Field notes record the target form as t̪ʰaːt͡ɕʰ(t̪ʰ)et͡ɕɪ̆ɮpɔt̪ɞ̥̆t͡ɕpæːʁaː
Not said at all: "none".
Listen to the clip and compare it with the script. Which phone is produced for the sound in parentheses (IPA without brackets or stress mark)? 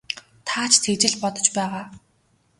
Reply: t̪ʰ